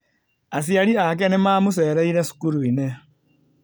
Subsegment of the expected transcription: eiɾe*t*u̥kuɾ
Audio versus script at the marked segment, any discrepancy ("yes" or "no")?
yes